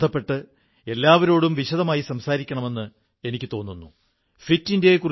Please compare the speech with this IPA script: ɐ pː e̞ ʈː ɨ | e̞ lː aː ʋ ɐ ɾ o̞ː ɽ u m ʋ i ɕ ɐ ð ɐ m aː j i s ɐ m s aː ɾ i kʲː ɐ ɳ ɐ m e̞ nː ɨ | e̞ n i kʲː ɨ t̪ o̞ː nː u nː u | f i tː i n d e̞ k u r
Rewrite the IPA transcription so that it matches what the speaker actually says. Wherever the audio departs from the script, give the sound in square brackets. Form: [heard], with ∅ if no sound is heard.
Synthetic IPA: ɐ pː e̞ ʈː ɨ | e̞ lː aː ʋ ɐ ɾ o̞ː ɽ u m ʋ i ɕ ɐ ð ɐ m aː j i s ɐ m s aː ɾ i kʲː ɐ ɳ ɐ m e̞ nː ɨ | e̞ n i kʲː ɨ t̪ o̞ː nː u nː u | f i tː i n d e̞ k u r